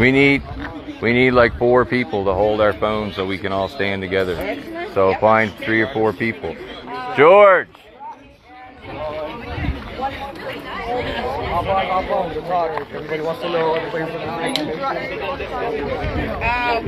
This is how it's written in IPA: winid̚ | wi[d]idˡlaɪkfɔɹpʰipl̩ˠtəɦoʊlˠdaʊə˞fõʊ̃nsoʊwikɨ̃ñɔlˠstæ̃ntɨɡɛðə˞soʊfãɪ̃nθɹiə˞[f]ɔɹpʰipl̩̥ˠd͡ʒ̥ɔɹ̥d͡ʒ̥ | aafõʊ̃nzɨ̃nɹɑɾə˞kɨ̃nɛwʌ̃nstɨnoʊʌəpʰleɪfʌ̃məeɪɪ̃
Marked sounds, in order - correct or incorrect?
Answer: incorrect: n, correct

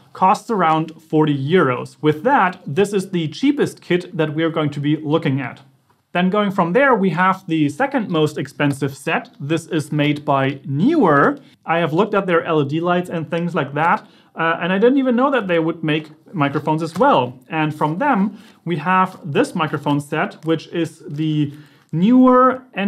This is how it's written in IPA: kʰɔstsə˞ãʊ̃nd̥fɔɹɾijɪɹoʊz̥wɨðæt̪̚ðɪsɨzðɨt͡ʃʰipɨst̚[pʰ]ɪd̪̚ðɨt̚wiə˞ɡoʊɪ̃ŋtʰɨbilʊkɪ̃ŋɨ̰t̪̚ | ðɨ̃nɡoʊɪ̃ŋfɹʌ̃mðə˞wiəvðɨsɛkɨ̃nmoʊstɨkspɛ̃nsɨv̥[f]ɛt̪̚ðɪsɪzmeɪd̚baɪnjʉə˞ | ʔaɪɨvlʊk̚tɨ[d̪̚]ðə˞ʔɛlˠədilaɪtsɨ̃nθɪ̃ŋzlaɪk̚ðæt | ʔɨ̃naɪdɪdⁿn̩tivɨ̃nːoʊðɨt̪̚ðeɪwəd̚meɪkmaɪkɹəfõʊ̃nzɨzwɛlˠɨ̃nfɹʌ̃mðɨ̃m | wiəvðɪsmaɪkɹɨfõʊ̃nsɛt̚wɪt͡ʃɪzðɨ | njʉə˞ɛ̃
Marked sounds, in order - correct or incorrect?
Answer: incorrect: kʰ, incorrect: s, incorrect: t̪̚

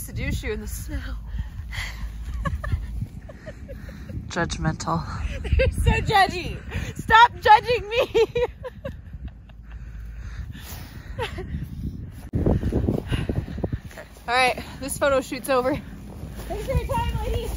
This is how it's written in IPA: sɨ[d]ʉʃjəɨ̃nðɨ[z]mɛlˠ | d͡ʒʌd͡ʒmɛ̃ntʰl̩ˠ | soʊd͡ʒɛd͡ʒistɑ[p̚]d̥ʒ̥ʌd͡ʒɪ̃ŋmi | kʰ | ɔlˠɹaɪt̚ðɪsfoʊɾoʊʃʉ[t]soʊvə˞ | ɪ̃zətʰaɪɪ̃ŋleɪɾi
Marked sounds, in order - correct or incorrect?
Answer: correct, incorrect: s, correct, correct

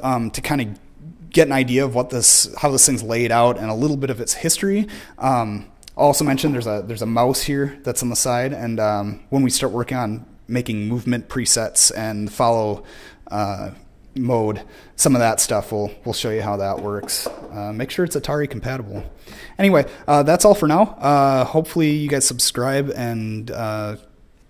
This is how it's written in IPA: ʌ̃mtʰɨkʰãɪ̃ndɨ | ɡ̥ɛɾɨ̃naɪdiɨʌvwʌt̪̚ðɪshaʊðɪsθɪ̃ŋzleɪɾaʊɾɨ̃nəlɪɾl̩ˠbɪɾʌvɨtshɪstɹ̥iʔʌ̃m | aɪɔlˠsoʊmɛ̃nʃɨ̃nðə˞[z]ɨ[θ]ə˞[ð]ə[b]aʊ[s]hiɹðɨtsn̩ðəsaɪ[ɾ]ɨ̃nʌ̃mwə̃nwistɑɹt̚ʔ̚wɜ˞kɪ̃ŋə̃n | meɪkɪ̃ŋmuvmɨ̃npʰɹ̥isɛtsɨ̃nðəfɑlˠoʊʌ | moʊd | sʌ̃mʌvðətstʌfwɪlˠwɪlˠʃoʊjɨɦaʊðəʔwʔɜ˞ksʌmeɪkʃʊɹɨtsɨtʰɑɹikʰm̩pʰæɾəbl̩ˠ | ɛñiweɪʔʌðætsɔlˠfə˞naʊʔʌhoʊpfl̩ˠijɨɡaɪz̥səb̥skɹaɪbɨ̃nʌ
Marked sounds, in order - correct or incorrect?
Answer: correct, incorrect: ð, incorrect: z, incorrect: m, correct, correct

